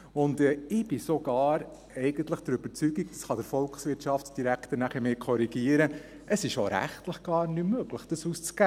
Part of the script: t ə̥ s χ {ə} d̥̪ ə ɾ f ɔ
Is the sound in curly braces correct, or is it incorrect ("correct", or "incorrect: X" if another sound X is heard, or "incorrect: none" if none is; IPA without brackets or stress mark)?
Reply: incorrect: ɑ